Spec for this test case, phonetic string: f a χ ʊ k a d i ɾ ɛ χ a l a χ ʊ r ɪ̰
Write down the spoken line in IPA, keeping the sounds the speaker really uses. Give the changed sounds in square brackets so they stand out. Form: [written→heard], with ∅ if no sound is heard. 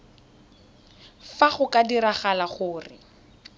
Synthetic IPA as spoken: f a χ ʊ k a d i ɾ [ɛ→a] χ a l a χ [ʊ→ʊː] r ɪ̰